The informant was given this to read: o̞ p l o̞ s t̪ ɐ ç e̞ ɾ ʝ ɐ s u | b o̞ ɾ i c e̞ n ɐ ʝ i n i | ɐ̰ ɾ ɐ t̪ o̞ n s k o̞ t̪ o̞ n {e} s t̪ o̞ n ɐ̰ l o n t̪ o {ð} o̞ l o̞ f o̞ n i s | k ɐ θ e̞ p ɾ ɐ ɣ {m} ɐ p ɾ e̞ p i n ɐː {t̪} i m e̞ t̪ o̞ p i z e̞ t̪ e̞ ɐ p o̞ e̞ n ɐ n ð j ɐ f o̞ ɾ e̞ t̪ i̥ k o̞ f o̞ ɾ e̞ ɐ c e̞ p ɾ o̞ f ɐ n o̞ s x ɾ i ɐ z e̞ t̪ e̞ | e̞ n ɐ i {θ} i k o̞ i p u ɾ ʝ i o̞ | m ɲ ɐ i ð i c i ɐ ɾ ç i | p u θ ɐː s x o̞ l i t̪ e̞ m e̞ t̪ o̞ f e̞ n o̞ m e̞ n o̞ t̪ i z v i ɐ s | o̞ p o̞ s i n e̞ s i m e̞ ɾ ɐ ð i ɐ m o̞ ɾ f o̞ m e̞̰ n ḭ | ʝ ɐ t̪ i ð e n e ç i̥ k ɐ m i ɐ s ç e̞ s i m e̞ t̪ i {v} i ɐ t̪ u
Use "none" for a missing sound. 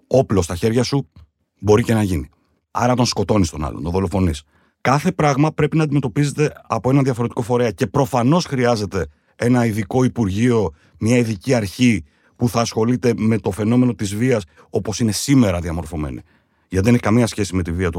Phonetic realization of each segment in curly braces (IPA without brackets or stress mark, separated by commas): i, ð, m, d̪, ð, v